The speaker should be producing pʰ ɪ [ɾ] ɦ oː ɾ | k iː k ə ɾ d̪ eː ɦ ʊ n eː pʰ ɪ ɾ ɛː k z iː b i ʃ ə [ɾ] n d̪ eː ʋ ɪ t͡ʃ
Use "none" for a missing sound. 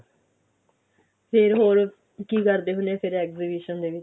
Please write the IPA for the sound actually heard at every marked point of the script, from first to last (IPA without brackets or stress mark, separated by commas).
ɾ, none